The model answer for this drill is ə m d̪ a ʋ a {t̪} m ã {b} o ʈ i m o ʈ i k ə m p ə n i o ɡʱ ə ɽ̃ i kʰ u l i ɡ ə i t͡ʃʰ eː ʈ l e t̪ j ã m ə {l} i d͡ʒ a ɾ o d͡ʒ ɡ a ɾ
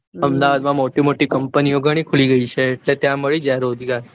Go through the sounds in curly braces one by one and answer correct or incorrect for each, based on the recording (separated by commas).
incorrect, incorrect, incorrect